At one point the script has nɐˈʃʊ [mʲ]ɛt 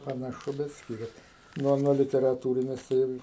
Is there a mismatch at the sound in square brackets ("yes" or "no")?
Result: yes